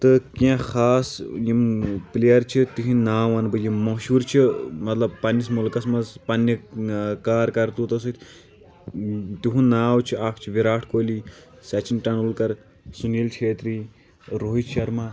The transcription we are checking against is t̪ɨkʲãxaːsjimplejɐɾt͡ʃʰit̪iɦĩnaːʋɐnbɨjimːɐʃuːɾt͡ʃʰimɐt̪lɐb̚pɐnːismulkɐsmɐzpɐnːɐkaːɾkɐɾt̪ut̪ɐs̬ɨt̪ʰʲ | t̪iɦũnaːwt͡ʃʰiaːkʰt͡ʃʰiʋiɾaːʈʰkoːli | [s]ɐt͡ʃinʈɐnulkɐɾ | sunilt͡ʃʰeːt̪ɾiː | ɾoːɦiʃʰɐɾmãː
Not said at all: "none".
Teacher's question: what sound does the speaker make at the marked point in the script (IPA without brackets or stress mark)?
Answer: s